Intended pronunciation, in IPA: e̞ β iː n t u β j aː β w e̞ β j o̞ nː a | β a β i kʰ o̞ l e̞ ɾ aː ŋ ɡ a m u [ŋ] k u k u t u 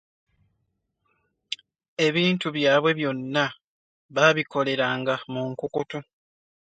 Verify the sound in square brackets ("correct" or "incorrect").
correct